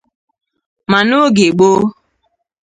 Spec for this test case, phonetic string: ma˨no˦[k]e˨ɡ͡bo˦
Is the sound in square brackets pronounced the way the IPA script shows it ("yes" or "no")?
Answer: no